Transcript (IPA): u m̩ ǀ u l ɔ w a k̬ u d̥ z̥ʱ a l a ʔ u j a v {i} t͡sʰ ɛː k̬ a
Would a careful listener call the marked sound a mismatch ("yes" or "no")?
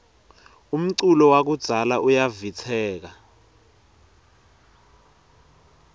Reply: no